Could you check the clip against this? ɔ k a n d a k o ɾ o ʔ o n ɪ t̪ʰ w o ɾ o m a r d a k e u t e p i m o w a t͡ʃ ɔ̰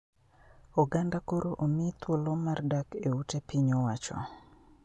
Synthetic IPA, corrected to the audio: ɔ ɡ a n d a k o ɾ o ʔ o m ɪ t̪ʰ w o l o m a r d a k e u t e p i ɲ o w a t͡ʃ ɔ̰

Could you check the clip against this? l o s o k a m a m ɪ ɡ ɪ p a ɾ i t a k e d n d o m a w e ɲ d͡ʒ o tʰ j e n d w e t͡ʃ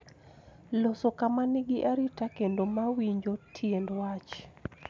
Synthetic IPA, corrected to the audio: l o s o k a m a n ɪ ɡ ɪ ʔ a ɾ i t a k e n d o m a w i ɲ d͡ʒ o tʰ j e n d w a t͡ʃ

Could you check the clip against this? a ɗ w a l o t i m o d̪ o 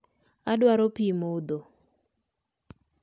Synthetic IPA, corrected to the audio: a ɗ w a ɾ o p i m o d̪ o

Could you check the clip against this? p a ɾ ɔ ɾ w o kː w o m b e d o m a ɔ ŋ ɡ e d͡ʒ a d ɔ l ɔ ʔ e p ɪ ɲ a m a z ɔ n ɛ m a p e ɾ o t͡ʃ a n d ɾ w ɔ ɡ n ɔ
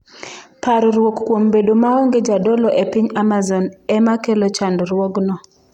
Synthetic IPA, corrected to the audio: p a ɾ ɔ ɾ w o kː w o m b e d o m a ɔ ŋ ɡ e d͡ʒ a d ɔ l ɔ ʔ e p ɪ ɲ a m a z ɔ n ɛ m a k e l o t͡ʃ a n d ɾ w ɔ ɡ n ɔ

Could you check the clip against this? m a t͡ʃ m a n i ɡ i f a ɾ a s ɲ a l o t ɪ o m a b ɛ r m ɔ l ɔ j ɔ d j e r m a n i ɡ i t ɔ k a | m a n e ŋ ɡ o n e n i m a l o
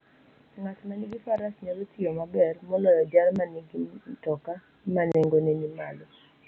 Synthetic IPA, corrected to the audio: ŋ a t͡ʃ m a n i ɡ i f a ɾ a s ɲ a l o t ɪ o m a b ɛ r m ɔ l ɔ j ɔ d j a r m a n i ɡ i t ɔ k a | m a n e ŋ ɡ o n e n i m a l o

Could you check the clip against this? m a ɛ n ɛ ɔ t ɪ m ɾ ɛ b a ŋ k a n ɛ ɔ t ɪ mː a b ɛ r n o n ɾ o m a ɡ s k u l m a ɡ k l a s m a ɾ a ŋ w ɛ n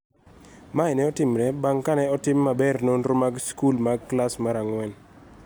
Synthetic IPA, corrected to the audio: m a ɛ n ɛ ɔ t ɪ m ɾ ɛ b a ŋ k a n ɛ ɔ t ɪ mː a b ɛ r n o n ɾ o m a ɡ s k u l m a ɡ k l a s m a ɾ a ŋ w ɛ n

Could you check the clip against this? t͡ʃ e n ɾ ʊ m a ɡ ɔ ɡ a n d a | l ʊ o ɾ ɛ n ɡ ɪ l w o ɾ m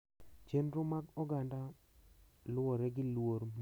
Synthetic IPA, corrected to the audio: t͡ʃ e n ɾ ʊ m a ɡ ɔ ɡ a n d a | l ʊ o ɾ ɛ ɡ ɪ l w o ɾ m

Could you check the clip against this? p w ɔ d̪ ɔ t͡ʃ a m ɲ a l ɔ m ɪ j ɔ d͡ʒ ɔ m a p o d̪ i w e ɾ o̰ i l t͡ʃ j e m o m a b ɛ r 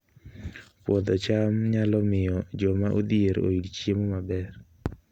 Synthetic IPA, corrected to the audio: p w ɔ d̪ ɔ t͡ʃ a m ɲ a l ɔ m ɪ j ɔ d͡ʒ ɔ m a ʔ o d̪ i e ɾ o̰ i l t͡ʃ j e m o m a b ɛ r

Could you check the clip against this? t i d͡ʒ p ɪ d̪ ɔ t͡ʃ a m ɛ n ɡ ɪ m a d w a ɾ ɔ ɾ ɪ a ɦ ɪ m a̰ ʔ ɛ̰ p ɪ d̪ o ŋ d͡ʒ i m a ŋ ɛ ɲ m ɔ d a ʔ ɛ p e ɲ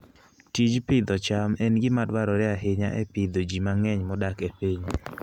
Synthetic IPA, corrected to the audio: t i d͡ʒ p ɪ d̪ ɔ t͡ʃ a m ɛ n ɡ ɪ m a d w a ɾ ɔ ɾ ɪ a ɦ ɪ ɲ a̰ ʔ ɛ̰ p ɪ d̪ o d͡ʒ i m a ŋ ɛ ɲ m ɔ d a k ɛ p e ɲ

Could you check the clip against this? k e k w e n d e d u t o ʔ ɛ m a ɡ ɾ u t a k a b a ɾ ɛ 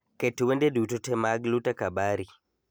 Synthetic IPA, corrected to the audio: k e t w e n d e d u t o t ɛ m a ɡ l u t a k a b a ɾ i

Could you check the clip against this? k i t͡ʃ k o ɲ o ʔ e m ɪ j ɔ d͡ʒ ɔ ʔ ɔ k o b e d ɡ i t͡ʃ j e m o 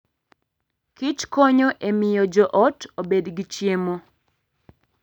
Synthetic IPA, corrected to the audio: k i t͡ʃ k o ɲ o ʔ e m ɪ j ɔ d͡ʒ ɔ ʔ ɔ t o b e d ɡ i t͡ʃ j e m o

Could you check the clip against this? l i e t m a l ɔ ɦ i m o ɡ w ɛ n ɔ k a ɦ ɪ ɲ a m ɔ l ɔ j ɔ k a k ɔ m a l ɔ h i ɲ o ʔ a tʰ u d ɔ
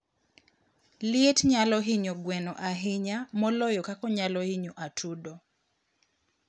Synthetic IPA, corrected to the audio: l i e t ɲ a l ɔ ɦ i ɲ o ɡ w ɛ n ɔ ʔ a ɦ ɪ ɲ a m ɔ l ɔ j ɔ k a k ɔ ɲ a l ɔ h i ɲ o ʔ a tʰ u d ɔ

